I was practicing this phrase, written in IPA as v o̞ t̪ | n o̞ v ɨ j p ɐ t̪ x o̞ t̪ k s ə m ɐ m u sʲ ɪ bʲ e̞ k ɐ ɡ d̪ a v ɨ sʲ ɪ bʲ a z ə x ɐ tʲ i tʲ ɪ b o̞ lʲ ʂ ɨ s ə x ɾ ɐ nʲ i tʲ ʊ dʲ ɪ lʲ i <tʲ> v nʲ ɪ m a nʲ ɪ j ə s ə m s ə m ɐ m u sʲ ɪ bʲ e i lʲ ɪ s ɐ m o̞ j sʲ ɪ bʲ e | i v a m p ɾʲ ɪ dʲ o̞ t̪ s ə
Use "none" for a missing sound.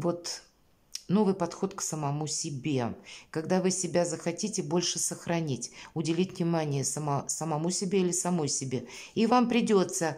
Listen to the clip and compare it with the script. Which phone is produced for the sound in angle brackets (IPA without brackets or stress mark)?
tʲ